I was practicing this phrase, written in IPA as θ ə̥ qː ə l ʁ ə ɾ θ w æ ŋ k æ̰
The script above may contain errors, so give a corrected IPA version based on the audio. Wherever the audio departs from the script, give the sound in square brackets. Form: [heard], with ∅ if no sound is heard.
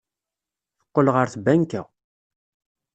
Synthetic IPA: θ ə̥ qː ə l ʁ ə ɾ θ [b] æ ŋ k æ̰

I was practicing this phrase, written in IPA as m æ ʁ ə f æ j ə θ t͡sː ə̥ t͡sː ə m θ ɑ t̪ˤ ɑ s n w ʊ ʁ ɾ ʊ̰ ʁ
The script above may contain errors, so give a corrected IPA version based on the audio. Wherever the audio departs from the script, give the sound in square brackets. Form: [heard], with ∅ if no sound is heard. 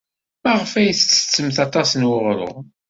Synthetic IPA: m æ ʁ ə f æ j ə θ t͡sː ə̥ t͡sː ə m θ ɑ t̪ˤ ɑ s n w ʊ ʁ ɾ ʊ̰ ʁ

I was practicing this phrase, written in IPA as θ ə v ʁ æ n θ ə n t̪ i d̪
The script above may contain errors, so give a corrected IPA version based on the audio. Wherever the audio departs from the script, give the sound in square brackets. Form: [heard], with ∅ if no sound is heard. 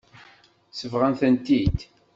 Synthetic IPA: [s] ə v ʁ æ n θ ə n t̪ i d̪

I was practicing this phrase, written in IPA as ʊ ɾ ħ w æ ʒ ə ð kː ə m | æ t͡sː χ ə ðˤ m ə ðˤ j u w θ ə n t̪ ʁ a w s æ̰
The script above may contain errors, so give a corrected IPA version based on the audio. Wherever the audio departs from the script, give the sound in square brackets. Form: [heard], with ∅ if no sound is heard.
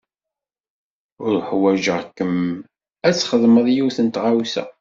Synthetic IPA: ʊ ɾ ħ w æ ʒ ə [ʁ] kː ə m | æ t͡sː χ ə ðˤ m ə ðˤ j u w θ ə n t̪ ʁ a w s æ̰

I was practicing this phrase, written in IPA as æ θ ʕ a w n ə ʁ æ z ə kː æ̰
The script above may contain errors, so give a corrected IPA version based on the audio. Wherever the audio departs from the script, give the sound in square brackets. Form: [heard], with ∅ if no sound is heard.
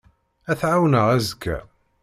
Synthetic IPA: æ θ ʕ a w n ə ʁ æ z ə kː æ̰

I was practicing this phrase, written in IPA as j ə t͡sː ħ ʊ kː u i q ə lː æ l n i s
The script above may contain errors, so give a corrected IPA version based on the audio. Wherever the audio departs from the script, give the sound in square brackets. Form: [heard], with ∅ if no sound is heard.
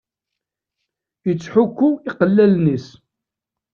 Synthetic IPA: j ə t͡sː ħ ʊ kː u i q ə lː æ l n i s

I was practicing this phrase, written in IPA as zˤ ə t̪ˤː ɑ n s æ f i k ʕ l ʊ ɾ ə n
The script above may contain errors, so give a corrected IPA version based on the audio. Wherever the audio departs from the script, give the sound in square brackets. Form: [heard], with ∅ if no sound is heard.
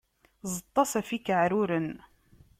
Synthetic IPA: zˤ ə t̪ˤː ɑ [∅] s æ f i k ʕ [ɾ] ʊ ɾ ə n

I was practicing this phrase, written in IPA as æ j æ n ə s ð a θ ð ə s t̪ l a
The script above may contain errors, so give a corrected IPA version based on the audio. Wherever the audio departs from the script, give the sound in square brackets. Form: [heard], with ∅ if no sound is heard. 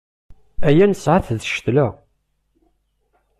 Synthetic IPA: æ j æ n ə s [ʕ] a θ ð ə [ʃ] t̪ l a

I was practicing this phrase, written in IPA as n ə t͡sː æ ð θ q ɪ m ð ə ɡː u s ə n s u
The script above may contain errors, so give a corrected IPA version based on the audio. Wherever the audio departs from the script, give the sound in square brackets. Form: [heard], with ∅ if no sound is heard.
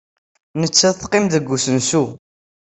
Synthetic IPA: n ə t͡sː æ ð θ q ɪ m ð ə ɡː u s ə n s u

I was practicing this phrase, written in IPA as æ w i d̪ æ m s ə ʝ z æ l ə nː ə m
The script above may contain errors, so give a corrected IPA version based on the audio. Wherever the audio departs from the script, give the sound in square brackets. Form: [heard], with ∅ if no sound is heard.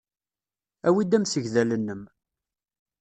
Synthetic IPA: æ w i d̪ æ m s ə ʝ [ð] æ l ə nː ə m

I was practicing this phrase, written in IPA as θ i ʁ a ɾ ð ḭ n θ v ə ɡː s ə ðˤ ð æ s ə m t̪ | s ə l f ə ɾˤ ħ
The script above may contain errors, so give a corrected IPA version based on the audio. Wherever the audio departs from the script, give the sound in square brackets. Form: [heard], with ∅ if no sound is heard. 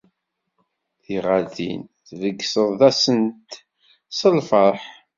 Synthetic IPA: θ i ʁ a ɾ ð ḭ n θ v ə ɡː s ə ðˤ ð æ s ə [n] t̪ | s ə l f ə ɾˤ ħ

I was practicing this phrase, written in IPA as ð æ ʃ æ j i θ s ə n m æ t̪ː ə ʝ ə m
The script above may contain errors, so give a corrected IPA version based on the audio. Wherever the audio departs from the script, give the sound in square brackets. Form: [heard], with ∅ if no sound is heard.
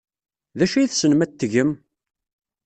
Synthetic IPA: ð æ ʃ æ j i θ s ə n m æ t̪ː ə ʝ ə m

